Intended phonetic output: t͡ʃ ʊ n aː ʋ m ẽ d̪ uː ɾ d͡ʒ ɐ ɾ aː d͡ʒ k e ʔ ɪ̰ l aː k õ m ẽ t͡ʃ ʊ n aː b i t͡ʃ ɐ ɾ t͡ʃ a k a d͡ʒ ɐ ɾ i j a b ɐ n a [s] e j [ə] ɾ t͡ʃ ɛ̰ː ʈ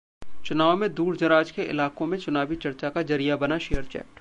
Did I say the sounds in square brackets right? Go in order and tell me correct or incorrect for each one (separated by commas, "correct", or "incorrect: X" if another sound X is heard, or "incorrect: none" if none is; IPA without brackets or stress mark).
incorrect: ʃ, correct